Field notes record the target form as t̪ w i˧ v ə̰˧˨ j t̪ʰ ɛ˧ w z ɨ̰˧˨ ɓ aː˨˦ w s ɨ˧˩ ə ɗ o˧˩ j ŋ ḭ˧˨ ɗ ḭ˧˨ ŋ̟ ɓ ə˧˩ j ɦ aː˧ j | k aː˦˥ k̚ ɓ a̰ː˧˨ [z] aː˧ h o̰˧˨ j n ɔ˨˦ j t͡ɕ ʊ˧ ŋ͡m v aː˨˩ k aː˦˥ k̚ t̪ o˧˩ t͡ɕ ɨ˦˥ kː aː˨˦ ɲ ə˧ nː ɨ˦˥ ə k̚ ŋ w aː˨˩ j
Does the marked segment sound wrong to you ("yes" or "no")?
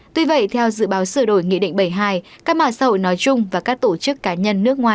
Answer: yes